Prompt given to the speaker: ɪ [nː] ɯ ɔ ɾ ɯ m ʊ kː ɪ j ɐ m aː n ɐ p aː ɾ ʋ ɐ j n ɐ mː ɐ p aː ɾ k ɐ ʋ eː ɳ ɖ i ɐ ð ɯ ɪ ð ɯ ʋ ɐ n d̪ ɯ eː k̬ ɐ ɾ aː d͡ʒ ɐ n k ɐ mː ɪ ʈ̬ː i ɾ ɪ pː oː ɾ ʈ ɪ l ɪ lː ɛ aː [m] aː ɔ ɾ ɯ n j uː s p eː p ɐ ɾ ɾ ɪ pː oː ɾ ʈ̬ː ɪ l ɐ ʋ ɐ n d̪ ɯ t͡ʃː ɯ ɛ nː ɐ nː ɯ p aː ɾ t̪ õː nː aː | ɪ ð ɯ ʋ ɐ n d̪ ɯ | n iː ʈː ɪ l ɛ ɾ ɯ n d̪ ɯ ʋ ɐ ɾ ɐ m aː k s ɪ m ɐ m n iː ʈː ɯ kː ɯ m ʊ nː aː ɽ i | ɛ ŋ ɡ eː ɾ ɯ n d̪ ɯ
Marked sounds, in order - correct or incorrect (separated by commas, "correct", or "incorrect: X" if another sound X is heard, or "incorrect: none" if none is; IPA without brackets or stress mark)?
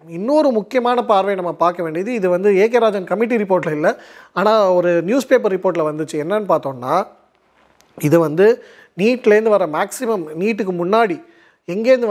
correct, incorrect: n